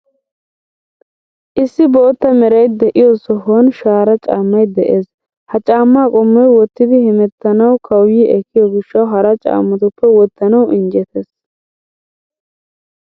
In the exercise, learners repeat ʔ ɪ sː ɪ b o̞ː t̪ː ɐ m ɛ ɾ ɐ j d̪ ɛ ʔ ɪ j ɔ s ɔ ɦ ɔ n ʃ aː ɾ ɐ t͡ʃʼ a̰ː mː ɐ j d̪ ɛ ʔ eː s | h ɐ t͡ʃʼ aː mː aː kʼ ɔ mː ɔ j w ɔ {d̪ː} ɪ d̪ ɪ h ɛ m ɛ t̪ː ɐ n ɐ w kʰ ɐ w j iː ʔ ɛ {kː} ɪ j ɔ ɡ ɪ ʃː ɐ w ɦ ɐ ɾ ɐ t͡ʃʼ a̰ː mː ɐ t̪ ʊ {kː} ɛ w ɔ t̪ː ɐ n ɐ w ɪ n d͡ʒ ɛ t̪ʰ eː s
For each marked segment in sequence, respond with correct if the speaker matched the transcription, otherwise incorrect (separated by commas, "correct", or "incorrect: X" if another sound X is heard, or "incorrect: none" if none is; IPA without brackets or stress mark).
incorrect: t̪ː, correct, incorrect: pː